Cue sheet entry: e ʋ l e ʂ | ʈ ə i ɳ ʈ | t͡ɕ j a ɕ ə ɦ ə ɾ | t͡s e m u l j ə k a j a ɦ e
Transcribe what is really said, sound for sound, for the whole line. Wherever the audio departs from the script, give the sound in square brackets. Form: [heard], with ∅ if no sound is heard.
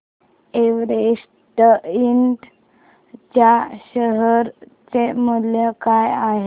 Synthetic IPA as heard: e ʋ [ɾ] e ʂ | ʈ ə i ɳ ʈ | t͡ɕ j a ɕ ə ɦ ə ɾ | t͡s e m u l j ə k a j a ɦ e